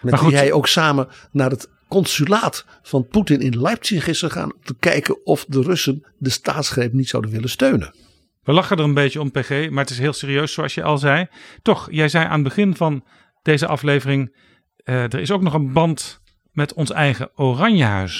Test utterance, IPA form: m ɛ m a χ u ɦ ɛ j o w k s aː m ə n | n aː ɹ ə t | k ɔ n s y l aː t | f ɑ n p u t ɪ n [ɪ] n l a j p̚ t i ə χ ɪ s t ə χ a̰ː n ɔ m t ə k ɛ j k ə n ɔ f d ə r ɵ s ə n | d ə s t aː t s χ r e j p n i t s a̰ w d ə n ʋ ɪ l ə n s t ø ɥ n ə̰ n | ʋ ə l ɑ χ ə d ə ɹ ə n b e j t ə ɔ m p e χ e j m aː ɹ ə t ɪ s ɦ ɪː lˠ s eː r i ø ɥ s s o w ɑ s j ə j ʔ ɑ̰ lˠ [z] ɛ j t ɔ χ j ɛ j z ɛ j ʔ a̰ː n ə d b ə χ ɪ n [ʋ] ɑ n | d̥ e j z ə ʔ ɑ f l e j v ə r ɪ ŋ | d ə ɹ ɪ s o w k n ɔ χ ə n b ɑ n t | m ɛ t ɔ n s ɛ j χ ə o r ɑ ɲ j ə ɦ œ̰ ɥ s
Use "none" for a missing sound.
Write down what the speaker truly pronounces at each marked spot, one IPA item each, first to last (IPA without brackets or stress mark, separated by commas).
ɪ, z, v